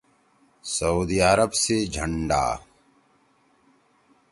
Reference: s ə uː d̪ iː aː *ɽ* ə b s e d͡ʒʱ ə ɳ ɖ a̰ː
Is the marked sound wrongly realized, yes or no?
yes